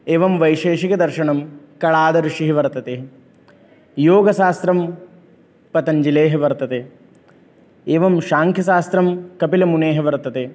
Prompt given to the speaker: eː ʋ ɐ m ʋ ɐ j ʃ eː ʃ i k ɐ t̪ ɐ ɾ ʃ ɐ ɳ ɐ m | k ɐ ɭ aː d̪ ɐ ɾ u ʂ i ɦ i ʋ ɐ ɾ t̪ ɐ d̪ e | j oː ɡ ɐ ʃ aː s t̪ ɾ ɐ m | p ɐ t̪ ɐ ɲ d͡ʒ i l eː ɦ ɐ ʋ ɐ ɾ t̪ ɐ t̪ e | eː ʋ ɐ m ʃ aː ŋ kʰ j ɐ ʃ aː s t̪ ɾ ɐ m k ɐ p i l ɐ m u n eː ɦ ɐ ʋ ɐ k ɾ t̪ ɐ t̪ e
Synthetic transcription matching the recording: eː ʋ ɐ m ʋ ɐ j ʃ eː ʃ i k ɐ d̪ ɐ ɾ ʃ ɐ ɳ ɐ m | k ɐ ɭ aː d̪ ɐ ɾ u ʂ i ɦ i ʋ ɐ ɾ t̪ ɐ t̪ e | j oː ɡ ɐ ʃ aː s t̪ ɾ ɐ m | p ɐ t̪ ɐ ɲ d͡ʒ i l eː ɦ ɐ ʋ ɐ ɾ t̪ ɐ t̪ e | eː ʋ ɐ m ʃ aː ŋ kʰ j ɐ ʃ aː s t̪ ɾ ɐ m k ɐ p i l ɐ m u n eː ɦ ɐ ʋ ɐ ɾ t̪ ɐ t̪ e